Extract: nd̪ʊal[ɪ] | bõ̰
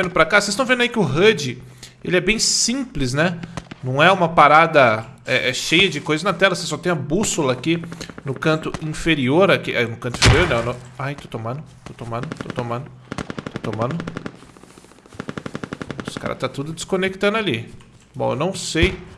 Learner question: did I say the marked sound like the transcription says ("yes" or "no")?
no